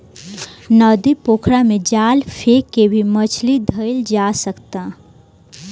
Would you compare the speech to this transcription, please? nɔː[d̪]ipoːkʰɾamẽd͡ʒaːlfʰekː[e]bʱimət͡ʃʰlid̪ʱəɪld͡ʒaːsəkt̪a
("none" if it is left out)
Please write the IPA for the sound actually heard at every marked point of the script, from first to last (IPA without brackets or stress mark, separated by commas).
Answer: d̪, e